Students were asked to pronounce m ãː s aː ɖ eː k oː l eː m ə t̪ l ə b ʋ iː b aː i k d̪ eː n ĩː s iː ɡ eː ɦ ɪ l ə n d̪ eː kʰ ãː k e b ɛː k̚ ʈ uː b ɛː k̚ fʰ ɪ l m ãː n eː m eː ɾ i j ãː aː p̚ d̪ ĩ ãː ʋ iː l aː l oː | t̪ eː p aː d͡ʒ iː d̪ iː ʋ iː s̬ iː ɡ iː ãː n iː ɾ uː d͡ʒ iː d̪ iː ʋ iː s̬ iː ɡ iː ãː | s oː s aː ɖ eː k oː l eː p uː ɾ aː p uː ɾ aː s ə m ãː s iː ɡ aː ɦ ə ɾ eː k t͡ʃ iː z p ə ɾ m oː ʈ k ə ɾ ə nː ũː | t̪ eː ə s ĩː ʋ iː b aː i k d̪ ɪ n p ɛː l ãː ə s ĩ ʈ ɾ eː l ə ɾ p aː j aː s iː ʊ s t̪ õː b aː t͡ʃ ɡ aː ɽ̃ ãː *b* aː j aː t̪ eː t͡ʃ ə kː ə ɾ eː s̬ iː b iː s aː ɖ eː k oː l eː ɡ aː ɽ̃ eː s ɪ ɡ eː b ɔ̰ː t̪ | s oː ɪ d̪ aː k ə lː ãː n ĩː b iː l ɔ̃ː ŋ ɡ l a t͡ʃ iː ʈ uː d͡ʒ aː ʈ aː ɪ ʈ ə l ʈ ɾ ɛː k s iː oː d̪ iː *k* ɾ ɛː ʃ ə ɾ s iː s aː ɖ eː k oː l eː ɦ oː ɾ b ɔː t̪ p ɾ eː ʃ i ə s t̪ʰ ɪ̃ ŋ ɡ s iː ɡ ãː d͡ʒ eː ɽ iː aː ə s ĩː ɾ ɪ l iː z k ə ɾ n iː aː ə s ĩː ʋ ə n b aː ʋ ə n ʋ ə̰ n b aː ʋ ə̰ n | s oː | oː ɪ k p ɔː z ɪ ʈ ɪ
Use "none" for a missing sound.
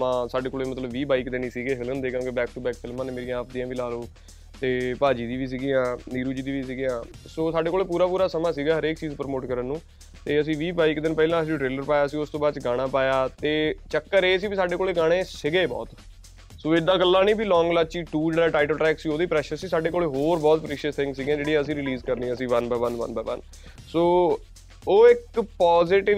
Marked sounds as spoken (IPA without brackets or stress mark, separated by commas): p, p